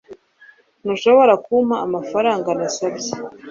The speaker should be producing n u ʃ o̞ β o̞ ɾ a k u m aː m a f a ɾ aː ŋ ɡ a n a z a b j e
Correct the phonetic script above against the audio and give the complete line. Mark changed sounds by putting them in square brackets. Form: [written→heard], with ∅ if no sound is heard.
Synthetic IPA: n u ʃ o̞ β o̞ ɾ a k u m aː m a f a ɾ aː ŋ ɡ a n a [z→s] a b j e